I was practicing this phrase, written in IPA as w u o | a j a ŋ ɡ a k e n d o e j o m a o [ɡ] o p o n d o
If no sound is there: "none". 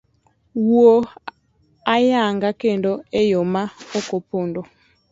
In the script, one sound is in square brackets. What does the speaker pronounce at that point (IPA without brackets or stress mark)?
k